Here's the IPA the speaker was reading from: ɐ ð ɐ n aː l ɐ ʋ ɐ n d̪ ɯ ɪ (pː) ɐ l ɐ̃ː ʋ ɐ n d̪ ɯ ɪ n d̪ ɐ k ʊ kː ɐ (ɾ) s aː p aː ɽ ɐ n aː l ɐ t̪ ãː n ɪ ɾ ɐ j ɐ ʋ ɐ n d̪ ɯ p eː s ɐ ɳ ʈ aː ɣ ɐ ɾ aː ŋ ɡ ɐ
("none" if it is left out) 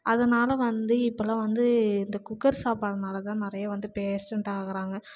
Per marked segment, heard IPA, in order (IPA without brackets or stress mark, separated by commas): pː, ɾ